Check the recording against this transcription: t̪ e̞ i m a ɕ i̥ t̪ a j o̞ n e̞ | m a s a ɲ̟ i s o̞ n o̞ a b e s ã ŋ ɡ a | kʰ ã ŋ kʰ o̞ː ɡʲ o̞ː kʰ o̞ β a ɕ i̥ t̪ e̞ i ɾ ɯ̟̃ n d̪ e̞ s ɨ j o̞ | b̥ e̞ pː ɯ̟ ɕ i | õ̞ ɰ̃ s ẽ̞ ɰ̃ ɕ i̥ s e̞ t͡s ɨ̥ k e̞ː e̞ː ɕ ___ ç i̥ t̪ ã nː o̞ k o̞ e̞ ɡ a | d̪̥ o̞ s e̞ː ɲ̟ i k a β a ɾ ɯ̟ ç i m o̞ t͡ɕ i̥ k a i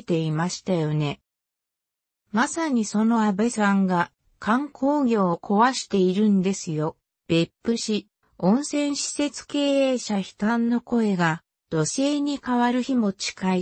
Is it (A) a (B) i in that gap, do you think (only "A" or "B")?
A